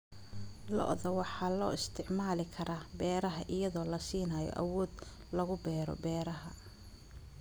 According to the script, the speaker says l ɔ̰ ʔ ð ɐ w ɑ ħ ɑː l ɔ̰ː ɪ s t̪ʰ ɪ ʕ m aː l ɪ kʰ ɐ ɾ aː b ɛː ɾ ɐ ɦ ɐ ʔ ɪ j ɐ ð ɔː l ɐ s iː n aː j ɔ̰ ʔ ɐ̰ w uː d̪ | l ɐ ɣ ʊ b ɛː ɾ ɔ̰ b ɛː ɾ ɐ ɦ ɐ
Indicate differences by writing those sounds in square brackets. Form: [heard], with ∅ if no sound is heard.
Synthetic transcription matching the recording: l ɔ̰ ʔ ð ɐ w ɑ ħ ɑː l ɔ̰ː ɪ s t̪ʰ ɪ ʕ m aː l ɪ kʰ ɐ ɾ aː b ɛː ɾ ɐ ɦ ɐ ʔ ɪ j ɐ ð ɔː l ɐ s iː n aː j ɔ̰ ʔ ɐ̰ w [ɔː] d̪ | l ɐ ɣ ʊ b ɛː ɾ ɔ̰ b ɛː ɾ ɐ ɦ ɐ